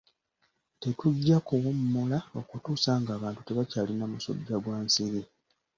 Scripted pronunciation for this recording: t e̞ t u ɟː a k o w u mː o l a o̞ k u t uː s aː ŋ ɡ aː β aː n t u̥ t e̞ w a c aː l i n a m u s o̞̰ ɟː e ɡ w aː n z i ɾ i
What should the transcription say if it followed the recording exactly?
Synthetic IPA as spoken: t e̞ t u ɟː a k o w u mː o l a o̞ k u t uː s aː ŋ ɡ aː β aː n t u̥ t e̞ β a c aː l i n a m u s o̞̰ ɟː a ɡ w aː n s i ɾ i